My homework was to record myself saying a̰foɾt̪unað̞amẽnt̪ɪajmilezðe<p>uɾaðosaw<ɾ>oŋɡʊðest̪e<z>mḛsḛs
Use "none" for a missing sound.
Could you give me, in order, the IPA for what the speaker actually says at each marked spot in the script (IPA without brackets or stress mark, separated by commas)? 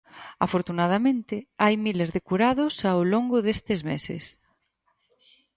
k, l, z